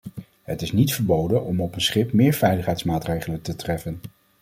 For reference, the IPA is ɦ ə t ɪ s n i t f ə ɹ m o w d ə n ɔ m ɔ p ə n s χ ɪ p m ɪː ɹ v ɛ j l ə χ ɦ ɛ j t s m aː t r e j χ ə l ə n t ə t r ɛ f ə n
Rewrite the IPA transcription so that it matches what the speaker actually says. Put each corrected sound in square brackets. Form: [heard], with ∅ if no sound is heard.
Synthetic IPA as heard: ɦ ə t ɪ s n i t f ə ɹ [b] o w d ə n ɔ m ɔ p ə n s χ ɪ p m ɪː ɹ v ɛ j l ə χ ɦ ɛ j t s m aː t r e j χ ə l ə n t ə t r ɛ f ə n